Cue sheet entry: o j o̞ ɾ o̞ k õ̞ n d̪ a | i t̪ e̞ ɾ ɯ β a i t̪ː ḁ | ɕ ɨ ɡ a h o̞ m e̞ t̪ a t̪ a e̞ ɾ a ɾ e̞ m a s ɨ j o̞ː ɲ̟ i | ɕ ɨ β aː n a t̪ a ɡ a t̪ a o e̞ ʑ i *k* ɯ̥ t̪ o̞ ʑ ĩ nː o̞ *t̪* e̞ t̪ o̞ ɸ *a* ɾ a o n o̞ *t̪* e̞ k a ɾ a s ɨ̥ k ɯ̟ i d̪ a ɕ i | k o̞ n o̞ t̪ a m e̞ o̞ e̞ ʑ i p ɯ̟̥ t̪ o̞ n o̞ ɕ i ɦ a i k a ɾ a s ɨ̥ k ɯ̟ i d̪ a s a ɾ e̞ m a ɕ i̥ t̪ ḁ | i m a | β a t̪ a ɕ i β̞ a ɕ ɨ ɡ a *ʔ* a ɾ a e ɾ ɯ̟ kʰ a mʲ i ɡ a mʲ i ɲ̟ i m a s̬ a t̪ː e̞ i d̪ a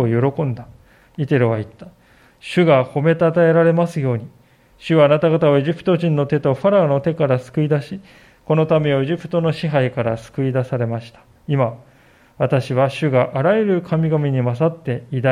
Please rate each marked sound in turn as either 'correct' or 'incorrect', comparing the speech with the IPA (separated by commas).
incorrect, correct, correct, correct, correct